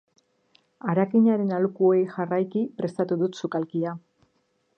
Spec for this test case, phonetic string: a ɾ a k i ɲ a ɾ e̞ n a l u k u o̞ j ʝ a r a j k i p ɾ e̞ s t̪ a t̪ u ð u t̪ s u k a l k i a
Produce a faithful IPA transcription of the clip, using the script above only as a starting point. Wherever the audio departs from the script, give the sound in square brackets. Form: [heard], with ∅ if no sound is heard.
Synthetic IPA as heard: a ɾ a k i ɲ a ɾ e̞ n a l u k u o̞ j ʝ a r a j k i p ɾ e̞ s t̪ a t̪ u ð u t̪ s u k a l k i a